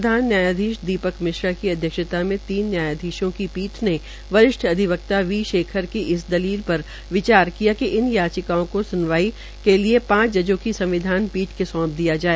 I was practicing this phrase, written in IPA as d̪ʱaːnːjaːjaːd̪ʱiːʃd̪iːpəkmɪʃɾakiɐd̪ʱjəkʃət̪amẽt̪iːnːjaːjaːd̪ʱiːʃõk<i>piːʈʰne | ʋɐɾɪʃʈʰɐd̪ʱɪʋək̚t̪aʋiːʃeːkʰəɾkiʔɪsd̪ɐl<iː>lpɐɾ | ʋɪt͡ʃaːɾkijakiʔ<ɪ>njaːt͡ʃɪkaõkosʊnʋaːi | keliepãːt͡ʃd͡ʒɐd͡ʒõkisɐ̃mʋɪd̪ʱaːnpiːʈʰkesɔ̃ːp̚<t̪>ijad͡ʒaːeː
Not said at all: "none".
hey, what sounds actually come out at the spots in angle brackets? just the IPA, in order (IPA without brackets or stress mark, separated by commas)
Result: i, iː, ɪ, d̪